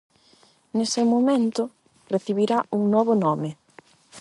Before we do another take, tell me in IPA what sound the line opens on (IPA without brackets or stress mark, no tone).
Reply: n